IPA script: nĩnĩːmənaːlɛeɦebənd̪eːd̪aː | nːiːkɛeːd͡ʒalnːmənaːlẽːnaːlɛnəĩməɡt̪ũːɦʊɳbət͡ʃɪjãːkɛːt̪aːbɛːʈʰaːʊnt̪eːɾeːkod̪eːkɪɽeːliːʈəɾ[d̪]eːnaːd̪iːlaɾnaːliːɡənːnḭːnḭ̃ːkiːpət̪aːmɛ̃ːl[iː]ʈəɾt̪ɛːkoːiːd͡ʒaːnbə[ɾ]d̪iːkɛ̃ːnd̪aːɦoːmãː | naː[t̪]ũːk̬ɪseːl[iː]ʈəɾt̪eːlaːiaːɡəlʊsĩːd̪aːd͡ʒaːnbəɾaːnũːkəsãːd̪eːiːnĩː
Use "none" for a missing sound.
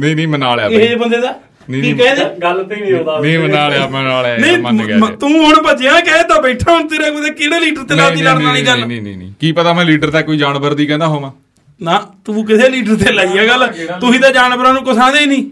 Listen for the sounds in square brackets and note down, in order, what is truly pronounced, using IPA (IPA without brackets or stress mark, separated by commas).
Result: t̪, iː, ɾ, t̪, iː